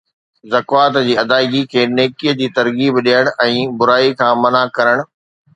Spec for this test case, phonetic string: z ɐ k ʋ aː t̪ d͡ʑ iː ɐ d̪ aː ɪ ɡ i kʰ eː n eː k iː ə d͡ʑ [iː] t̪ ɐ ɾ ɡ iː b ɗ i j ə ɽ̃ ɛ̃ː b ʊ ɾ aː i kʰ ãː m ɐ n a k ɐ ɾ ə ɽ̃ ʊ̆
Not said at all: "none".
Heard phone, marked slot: iː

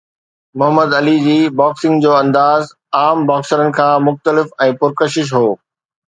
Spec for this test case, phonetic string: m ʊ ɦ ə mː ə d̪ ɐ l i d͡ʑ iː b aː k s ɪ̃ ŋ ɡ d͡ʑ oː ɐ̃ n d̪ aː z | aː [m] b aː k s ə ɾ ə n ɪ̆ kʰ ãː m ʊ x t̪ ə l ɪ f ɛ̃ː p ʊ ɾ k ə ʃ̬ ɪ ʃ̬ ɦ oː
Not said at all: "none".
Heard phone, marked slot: m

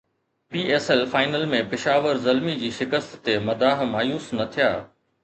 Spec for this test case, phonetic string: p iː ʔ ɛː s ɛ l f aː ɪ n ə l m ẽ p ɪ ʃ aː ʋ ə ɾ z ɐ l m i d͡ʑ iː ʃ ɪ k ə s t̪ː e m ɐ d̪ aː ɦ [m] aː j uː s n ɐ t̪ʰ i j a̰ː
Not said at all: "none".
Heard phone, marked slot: m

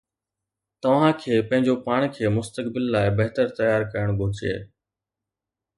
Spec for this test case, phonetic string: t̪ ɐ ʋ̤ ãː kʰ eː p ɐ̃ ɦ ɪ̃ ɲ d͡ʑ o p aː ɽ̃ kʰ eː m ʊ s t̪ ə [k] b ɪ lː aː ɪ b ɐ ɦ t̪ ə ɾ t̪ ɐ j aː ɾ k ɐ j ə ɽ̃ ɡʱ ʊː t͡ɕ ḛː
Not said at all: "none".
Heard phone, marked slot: k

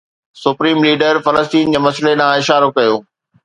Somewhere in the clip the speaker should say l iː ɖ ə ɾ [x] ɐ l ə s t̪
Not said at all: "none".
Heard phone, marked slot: f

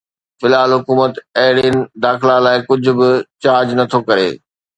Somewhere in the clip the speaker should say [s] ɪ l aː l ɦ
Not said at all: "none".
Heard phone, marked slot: f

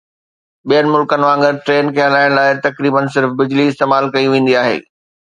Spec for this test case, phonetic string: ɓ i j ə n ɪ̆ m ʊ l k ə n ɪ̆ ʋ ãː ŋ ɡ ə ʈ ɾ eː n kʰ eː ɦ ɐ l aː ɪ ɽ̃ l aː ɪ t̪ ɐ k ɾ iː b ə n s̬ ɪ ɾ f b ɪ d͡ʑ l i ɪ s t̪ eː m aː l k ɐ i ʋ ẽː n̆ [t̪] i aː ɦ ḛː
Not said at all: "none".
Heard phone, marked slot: d̪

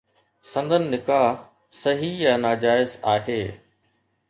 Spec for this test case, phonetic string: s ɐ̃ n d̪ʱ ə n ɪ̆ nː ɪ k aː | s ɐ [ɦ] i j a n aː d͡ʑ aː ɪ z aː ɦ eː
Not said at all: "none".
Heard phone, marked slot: ɦ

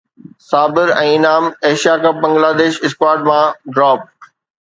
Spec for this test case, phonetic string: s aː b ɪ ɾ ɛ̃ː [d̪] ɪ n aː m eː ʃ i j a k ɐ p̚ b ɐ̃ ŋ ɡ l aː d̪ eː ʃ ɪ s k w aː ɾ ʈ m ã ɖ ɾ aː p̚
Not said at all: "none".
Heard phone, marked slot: none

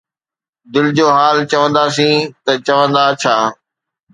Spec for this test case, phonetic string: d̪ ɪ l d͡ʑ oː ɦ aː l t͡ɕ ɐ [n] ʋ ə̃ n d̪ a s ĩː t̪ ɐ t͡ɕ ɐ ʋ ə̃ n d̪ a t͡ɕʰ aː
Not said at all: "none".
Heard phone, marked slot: none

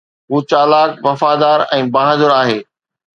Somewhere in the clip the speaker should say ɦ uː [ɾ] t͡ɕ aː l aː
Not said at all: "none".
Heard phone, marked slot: none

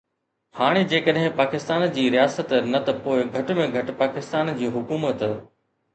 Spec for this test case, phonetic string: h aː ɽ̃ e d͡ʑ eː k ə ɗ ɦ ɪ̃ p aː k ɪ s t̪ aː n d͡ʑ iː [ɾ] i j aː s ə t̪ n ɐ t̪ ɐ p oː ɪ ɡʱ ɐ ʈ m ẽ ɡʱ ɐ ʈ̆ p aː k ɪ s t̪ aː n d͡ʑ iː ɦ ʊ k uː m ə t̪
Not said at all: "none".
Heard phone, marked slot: ɾ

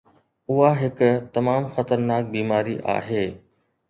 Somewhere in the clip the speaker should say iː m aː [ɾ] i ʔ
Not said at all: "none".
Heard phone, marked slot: ɾ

